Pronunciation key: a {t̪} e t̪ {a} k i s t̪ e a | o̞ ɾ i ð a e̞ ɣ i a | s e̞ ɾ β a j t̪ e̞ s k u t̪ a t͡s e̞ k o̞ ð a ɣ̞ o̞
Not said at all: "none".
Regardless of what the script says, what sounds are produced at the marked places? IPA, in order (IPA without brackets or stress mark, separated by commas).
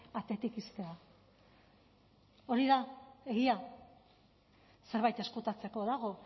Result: t̪, i